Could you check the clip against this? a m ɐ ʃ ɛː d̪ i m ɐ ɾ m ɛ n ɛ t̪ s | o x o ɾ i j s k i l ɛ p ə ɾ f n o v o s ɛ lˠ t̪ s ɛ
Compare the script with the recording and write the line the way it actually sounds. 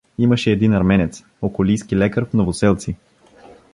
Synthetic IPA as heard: i m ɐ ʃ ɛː d̪ i n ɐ ɾ m ɛ n ɛ t̪ s | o k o l i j s k i l ɛ k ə ɾ f n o v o s ɛ lˠ t̪ s i